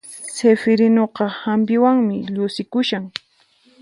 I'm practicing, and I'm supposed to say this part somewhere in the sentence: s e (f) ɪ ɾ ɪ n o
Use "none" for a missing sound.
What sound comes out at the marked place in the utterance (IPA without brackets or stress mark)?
f